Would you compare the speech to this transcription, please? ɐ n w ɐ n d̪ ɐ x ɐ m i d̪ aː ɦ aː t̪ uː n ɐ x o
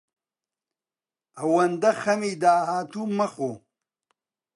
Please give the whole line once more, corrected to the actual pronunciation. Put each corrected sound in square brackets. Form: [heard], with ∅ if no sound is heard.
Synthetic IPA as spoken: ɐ [∅] w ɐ n d̪ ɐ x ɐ m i d̪ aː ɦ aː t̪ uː [m] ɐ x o